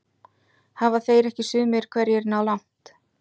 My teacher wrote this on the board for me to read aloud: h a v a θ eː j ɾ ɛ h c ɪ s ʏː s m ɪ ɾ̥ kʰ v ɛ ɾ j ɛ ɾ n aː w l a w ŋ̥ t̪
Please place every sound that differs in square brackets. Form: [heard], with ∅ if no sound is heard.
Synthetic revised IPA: h a v a θ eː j ɾ ɛ h c ɪ s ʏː [∅] m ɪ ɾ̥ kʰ v ɛ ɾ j ɛ ɾ n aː w l a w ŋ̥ t̪